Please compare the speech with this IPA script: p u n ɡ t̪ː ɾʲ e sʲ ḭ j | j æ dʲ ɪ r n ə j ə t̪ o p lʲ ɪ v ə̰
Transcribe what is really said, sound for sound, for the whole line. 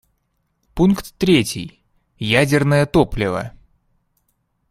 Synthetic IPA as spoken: p u n k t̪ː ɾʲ e tʲ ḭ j | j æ dʲ ɪ r n ə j ə t̪ o p lʲ ɪ v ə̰